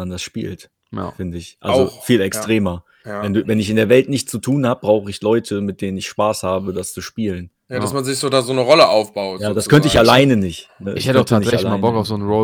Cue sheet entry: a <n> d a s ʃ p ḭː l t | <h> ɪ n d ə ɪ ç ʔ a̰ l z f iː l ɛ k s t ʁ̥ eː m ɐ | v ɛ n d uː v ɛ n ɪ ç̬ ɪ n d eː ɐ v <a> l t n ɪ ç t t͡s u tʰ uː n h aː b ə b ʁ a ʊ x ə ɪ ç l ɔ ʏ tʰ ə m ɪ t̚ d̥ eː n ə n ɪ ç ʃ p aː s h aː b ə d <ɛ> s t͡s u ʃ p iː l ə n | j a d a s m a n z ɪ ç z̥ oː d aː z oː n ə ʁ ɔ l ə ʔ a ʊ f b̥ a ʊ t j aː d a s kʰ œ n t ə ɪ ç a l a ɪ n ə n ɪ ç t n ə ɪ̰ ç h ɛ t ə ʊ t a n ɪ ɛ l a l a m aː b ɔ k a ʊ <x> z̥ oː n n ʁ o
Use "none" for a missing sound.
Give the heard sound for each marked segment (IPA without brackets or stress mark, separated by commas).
n, f, ɛ, a, f